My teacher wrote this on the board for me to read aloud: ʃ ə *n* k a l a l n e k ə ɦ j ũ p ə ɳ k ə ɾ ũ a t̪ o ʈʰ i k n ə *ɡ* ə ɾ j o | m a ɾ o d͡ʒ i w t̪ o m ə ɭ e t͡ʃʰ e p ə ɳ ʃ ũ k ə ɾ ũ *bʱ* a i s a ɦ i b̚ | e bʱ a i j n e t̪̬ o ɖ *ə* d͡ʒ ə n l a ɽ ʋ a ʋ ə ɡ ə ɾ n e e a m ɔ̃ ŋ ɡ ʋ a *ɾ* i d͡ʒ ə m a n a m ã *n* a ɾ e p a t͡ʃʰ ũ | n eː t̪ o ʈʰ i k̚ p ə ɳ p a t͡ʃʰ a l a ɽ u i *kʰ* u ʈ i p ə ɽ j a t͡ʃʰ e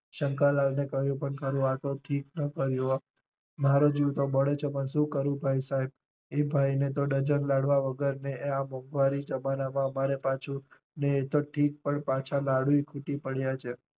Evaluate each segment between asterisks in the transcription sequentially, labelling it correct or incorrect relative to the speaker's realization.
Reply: incorrect, incorrect, correct, correct, correct, incorrect, correct

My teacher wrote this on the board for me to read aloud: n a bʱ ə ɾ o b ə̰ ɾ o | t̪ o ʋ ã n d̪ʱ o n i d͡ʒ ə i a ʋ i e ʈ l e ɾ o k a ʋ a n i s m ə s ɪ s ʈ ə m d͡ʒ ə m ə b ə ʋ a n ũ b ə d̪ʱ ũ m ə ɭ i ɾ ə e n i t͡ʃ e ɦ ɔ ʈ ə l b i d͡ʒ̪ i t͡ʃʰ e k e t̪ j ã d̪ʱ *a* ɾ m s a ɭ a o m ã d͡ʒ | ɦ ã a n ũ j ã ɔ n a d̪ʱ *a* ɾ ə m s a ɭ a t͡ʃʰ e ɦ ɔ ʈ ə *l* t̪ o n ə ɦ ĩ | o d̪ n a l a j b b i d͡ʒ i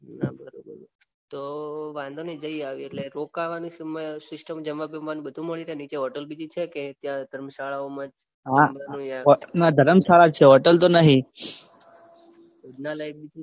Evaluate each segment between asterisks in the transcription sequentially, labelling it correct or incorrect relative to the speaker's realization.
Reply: incorrect, incorrect, correct

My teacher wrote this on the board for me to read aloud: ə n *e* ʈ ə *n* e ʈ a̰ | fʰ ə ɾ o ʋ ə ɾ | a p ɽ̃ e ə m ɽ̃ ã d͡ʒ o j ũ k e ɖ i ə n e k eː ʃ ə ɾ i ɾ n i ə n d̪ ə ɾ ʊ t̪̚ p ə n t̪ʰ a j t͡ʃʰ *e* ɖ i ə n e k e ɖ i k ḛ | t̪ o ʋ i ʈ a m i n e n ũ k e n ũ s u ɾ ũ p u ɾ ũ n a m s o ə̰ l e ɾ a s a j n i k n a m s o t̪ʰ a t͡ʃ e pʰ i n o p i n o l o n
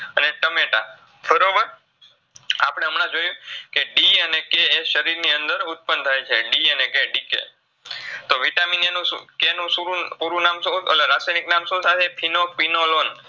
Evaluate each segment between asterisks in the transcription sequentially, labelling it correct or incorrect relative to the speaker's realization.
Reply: correct, incorrect, correct

